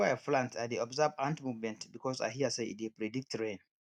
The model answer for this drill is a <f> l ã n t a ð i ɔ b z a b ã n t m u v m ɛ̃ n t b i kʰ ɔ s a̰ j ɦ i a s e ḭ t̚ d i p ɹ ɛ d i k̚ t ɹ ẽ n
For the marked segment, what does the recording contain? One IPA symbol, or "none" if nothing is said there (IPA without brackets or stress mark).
f